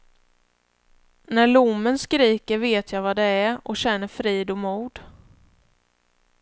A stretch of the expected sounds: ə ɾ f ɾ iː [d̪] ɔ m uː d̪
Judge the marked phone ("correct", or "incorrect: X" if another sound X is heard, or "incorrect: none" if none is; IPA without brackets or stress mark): correct